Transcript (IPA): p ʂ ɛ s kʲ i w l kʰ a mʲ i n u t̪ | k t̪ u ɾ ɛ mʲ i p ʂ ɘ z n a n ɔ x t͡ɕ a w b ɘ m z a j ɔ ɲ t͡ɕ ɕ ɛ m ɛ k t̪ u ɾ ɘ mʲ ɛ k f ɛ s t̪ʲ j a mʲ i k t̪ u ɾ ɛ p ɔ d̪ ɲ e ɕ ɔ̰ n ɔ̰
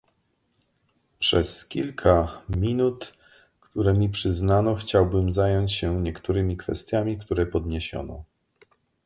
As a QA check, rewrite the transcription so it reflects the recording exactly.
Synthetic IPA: p ʂ ɛ s kʲ i l kʰ a mʲ i n u t̪ | k t̪ u ɾ ɛ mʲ i p ʂ ɘ z n a n ɔ x t͡ɕ a w b ɘ m z a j ɔ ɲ t͡ɕ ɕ ɛ ɲ ɛ k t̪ u ɾ ɘ mʲ i k f ɛ s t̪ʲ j a mʲ i k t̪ u ɾ ɛ p ɔ d̪ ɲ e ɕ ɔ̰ n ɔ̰